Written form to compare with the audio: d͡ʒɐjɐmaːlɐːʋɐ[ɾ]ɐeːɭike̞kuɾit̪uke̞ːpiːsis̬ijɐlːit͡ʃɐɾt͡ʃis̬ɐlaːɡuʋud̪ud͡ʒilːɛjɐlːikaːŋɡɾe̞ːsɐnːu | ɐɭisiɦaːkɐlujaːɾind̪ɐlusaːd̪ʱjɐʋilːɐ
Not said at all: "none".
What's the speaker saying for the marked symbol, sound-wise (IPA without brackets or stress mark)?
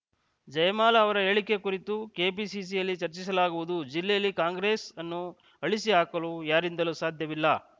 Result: ɾ